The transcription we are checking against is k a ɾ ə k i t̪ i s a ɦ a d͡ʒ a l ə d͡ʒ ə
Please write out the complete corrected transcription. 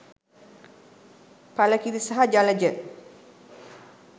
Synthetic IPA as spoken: p a l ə k i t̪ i s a ɦ a d͡ʒ a l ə d͡ʒ ə

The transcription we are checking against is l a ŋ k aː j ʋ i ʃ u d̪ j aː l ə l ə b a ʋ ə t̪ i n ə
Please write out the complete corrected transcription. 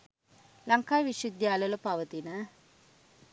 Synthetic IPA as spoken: l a ŋ k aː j ʋ i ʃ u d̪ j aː l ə l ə p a ʋ ə t̪ i n ə

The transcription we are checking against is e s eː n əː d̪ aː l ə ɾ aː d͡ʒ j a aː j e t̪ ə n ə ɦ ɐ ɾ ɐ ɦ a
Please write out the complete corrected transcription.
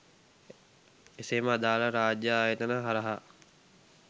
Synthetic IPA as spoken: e s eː m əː d̪ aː l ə ɾ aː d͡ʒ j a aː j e t̪ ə n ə ɦ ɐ ɾ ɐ ɦ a

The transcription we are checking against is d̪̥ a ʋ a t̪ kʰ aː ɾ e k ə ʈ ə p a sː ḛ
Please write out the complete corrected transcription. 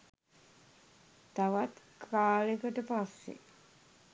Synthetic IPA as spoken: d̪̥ a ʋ a t̪ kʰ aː l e k ə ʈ ə p a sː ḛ

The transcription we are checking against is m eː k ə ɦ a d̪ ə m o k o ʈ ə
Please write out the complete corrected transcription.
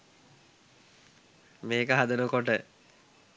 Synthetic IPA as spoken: m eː k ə ɦ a d̪ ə n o k o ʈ ə

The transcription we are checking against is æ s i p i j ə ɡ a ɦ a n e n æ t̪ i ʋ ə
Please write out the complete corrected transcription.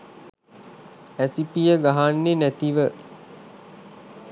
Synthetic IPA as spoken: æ s i p i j ə ɡ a ɦ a nː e n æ t̪ i ʋ ə

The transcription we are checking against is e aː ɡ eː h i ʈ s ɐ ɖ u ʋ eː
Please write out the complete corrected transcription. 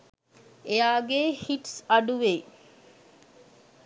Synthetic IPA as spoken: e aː ɡ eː h i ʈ s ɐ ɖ u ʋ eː

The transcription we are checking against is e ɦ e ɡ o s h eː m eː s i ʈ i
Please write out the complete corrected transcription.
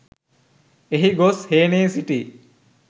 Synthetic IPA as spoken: e ɦ i ɡ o s h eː n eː s i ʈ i

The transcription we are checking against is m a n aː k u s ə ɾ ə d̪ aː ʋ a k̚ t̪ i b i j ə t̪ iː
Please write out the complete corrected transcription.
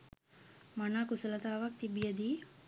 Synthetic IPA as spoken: m a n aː k u s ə l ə t̪ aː ʋ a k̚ t̪ i b i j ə d̪ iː

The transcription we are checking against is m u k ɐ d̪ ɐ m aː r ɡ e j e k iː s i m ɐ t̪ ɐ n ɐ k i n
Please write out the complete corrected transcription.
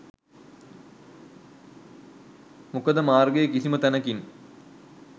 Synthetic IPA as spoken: m u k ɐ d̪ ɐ m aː r ɡ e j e k i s i m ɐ t̪ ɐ n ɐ k i n

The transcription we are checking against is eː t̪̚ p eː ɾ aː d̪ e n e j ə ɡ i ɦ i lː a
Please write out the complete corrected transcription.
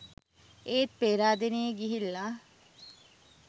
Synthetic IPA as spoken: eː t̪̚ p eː ɾ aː d̪ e n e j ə ɡ i ɦ i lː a

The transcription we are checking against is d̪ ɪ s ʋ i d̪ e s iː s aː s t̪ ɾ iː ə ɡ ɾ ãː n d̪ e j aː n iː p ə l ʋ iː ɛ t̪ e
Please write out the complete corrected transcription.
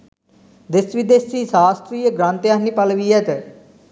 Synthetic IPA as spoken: d̪ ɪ s ʋ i d̪ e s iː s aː s t̪ ɾ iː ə ɡ ɾ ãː n t̪ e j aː n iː p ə l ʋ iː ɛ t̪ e

